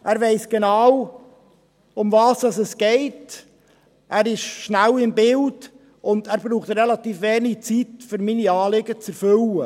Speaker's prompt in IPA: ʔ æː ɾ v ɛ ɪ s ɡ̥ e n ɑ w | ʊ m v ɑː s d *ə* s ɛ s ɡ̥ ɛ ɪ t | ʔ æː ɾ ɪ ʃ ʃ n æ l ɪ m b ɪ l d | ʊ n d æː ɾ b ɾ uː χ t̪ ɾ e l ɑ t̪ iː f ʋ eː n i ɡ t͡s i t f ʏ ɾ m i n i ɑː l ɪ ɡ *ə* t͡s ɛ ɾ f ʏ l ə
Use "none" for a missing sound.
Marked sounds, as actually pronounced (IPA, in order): ɑ, ə

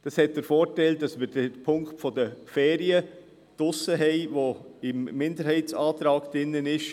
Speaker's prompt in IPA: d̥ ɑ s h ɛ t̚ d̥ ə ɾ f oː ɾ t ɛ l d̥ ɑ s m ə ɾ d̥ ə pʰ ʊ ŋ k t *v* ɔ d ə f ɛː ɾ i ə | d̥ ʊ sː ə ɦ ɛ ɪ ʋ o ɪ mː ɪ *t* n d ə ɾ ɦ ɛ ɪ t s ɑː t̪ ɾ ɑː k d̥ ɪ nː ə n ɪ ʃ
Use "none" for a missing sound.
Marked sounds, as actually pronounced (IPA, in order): f, none

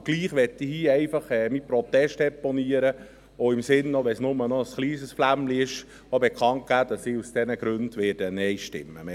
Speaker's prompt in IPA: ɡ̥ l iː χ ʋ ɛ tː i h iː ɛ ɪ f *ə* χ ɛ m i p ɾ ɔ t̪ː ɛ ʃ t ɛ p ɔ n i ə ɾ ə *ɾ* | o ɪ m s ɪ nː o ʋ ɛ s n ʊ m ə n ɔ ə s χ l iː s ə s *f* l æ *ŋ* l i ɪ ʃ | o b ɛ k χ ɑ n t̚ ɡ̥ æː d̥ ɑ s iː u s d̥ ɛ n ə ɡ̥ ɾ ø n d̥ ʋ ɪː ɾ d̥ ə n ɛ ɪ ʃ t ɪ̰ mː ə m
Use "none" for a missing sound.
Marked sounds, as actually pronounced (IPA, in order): ɑ, none, f, m

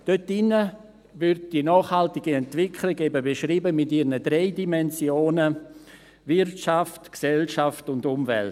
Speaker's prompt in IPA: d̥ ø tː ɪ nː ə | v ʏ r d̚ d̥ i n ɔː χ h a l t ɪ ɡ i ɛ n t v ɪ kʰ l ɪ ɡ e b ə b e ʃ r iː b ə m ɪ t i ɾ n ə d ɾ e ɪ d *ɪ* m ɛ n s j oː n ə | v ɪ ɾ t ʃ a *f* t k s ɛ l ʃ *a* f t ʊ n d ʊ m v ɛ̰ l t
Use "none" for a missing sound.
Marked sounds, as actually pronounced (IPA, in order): i, f, a

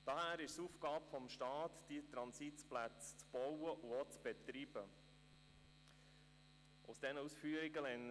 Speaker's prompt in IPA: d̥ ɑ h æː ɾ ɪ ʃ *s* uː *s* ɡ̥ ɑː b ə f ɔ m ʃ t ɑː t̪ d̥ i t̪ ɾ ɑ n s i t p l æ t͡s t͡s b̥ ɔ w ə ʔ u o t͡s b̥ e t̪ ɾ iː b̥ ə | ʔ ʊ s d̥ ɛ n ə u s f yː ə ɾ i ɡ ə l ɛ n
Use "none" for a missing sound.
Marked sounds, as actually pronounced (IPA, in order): s, f

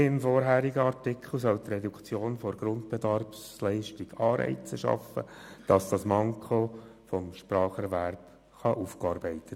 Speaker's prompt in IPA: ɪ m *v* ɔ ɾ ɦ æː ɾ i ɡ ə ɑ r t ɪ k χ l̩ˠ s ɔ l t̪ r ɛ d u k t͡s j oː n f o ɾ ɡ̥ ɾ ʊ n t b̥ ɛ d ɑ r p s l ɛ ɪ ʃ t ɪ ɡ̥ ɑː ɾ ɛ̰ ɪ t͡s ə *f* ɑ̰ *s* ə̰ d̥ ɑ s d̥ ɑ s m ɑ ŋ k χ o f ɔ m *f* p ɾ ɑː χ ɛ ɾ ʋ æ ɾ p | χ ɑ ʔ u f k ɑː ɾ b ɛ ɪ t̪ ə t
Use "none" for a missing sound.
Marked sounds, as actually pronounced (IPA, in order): f, ʃ, f, ʃ

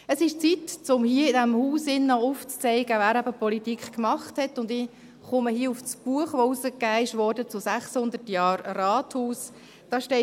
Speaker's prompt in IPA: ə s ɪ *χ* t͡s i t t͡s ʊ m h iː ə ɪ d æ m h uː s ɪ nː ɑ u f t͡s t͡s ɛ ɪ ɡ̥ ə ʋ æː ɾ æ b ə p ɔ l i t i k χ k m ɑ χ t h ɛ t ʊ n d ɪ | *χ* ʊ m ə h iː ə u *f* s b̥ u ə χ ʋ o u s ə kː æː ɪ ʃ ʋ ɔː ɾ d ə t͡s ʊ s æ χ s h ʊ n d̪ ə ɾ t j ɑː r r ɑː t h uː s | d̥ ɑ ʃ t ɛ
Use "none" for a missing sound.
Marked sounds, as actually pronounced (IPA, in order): ʃ, χ, f

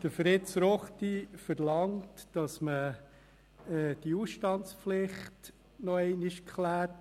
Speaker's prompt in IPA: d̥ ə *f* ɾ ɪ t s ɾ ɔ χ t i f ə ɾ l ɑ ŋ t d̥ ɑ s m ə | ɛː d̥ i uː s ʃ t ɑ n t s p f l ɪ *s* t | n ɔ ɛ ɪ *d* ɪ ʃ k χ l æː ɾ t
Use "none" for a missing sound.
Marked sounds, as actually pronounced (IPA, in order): f, χ, n

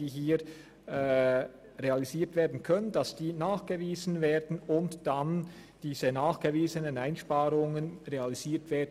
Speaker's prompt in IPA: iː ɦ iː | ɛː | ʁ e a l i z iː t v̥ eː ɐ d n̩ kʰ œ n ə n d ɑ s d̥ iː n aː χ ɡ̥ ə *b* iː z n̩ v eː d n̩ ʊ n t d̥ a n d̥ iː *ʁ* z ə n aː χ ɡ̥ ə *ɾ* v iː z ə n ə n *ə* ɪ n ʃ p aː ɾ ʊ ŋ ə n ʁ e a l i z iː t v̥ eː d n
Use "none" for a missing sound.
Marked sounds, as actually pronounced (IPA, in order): v, none, none, a

